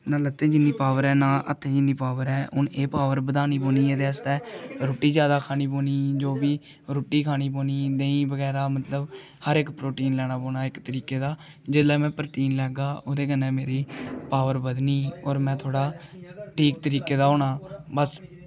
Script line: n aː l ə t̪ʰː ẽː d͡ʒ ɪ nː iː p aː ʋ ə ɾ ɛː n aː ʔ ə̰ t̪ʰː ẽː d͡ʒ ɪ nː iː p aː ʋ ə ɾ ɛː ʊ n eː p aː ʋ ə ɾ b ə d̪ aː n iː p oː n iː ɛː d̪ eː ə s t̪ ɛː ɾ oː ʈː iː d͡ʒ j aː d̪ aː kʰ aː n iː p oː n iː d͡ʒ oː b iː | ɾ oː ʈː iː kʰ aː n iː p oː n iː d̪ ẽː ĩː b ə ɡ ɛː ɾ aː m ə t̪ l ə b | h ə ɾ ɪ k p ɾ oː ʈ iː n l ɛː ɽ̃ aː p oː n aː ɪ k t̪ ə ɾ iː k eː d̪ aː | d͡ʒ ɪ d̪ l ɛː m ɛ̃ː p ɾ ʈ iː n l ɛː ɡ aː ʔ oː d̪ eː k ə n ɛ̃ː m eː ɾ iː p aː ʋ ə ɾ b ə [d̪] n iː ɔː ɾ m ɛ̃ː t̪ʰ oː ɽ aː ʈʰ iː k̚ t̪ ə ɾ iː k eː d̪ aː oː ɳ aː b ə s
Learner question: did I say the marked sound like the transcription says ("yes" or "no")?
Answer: yes